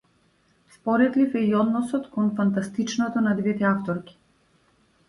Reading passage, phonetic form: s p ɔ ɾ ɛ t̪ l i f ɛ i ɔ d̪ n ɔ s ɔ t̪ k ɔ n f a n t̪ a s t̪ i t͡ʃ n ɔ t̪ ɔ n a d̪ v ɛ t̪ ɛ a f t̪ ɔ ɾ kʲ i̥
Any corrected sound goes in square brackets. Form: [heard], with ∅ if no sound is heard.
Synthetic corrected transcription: s p ɔ ɾ ɛ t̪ l i f ɛ i ɔ d̪ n ɔ s ɔ t̪ k ɔ n f a n t̪ a s t̪ i t͡ʃ n ɔ t̪ ɔ n a d̪ v ɛ t̪ ɛ a f t̪ ɔ ɾ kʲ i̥